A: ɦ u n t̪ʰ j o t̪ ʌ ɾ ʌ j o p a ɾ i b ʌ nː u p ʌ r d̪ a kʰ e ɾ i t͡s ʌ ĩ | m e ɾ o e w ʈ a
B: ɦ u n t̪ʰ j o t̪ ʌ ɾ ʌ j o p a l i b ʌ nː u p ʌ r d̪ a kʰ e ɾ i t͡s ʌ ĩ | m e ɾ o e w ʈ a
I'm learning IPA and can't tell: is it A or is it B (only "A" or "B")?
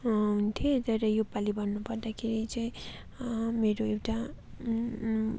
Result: B